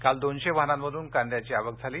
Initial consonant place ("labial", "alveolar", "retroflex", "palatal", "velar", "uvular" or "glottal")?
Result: velar